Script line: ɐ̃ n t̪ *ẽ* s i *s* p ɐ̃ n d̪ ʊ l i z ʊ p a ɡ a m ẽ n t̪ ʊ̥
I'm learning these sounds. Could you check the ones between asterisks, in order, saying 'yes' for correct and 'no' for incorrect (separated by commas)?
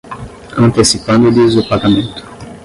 no, no